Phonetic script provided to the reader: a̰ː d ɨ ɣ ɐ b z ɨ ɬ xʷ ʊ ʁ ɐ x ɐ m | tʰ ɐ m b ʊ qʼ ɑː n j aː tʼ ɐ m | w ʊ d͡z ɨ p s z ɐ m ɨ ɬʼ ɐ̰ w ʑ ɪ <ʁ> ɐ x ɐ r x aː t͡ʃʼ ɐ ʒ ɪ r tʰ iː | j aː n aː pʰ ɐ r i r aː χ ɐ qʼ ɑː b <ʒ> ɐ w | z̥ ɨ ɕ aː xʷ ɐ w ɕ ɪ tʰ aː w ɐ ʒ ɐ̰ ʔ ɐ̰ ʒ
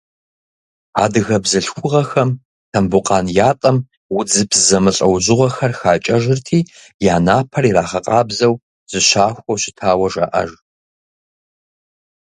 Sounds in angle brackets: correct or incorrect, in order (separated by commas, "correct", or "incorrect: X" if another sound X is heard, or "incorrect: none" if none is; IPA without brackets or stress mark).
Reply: correct, incorrect: z